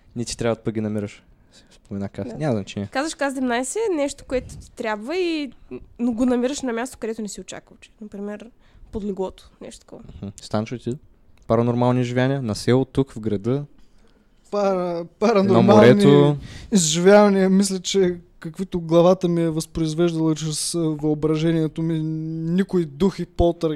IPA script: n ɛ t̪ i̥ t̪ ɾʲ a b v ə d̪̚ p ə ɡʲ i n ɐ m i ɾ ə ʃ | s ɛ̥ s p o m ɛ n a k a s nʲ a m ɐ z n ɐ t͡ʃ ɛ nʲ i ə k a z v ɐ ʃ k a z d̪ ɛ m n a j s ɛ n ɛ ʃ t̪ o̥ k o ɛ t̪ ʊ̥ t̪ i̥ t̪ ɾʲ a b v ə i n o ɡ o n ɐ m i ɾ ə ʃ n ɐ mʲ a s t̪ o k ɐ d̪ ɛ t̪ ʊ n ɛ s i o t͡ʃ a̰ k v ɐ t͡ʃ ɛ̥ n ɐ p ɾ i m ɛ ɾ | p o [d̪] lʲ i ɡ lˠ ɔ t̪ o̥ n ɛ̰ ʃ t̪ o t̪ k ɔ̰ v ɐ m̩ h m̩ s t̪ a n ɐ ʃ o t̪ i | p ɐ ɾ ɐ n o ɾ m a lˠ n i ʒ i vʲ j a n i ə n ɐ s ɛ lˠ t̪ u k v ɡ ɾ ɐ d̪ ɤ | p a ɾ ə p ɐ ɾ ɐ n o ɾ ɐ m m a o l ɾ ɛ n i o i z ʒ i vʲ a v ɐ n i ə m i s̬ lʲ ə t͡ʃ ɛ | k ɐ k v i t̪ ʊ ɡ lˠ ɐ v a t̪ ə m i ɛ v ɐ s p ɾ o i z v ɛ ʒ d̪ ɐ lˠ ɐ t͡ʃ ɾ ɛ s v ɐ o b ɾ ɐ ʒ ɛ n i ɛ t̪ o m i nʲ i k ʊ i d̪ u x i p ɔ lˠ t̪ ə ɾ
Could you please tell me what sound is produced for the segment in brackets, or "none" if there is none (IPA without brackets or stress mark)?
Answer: d̪